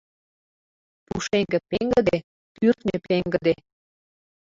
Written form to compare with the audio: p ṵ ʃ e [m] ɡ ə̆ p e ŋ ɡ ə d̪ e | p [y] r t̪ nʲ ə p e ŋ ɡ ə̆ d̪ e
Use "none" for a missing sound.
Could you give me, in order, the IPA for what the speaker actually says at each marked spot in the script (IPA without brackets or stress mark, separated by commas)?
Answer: ŋ, y